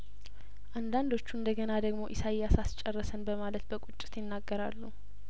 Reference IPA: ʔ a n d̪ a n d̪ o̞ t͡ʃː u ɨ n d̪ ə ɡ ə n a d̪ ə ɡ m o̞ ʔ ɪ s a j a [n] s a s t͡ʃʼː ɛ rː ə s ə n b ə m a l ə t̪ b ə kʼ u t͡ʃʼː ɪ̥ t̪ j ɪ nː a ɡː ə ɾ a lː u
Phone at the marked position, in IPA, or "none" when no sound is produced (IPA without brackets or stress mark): none